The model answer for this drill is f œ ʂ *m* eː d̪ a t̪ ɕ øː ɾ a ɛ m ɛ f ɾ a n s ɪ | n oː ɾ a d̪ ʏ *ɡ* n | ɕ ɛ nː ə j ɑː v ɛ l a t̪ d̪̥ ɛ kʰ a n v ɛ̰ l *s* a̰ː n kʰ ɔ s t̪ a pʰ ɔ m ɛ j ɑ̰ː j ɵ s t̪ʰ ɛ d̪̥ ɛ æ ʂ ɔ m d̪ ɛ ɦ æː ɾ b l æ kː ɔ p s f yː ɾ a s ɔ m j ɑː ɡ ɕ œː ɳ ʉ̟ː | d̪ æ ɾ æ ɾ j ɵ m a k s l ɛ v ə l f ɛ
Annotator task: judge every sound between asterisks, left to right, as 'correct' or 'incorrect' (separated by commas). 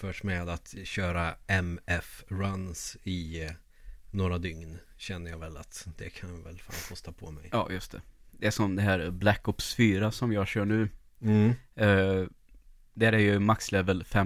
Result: correct, incorrect, incorrect